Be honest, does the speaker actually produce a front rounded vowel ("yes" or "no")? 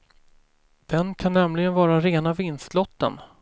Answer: no